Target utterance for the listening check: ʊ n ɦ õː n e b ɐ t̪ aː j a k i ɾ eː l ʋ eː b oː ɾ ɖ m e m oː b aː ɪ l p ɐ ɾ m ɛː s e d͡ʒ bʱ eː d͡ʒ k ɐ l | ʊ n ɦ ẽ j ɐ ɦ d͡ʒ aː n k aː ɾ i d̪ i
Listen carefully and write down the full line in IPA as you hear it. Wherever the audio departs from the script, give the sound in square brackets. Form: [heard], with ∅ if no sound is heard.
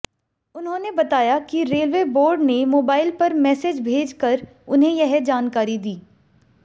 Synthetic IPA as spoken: ʊ n ɦ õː n e b ɐ t̪ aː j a k i ɾ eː l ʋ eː b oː ɾ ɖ [n] e m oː b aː ɪ l p ɐ ɾ m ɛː s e d͡ʒ bʱ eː d͡ʒ k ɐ [ɾ] | ʊ n ɦ ẽ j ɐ ɦ d͡ʒ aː n k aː ɾ i d̪ [iː]